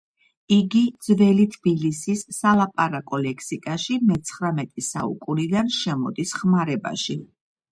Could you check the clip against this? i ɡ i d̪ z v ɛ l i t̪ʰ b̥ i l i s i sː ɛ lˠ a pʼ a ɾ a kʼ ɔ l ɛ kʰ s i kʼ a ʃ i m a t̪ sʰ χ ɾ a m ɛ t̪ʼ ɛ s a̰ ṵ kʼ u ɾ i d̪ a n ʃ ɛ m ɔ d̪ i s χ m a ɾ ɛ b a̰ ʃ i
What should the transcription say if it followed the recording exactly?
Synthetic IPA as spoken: i ɡ i d̪ z v ɛ l i t̪ʰ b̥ i l i s i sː a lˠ a pʼ a ɾ a kʼ ɔ l ɛ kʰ s i kʼ a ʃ i m ɛ t̪ sʰ χ ɾ a m ɛ t̪ʼ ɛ s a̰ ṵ kʼ u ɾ i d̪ a n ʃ ɛ m ɔ d̪ i s χ m a ɾ ɛ b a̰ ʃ i